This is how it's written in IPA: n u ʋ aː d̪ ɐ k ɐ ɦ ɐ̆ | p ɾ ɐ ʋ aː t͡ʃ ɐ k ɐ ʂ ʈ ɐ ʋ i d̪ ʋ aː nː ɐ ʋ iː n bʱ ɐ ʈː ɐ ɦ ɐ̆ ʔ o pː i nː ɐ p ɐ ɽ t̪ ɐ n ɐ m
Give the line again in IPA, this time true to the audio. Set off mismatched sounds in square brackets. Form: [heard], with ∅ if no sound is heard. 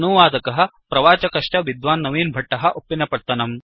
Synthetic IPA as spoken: n u ʋ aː d̪ ɐ k ɐ ɦ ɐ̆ | p ɾ ɐ ʋ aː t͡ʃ ɐ k ɐ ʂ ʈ ɐ ʋ i d̪ ʋ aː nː ɐ ʋ iː n bʱ ɐ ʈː ɐ ɦ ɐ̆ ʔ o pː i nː ɐ p ɐ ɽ t̪ ɐ n ɐ m